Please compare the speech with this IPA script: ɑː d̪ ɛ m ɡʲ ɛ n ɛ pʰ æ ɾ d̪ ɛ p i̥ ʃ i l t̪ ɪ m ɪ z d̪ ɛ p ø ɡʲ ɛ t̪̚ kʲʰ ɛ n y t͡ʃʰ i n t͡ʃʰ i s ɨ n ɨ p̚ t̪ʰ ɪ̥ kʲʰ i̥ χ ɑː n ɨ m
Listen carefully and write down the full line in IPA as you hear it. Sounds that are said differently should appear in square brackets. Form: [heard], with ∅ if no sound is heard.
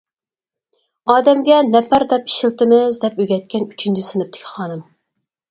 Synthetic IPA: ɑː d̪ ɛ m ɡʲ ɛ n ɛ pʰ æ ɾ d̪ ɛ p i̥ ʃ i l t̪ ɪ m ɪ z d̪ ɛ p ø ɡʲ ɛ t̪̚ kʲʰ ɛ n y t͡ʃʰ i n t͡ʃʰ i s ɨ n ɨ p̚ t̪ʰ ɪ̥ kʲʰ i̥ χ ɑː n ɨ m